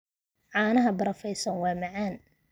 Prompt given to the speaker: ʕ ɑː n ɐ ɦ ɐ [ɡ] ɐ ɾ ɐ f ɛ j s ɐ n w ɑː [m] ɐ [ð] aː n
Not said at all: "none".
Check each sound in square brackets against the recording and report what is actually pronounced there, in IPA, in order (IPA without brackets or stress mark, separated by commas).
b, m, ʕ